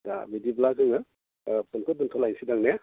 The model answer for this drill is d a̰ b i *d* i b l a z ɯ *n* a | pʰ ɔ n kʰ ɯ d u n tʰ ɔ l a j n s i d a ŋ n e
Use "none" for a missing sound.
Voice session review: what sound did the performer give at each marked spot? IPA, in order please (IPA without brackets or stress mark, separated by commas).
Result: d, ŋ